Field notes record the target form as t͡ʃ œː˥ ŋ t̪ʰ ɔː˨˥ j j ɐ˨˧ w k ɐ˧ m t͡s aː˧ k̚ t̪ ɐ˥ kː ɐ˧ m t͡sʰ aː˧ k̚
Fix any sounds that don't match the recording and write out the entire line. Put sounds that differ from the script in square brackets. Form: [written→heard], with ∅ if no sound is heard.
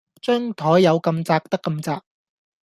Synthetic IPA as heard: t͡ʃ œː˥ ŋ t̪ʰ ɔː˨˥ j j ɐ˨˧ w k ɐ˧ m t͡s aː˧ k̚ t̪ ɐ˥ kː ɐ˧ m [t͡sʰ→t͡s] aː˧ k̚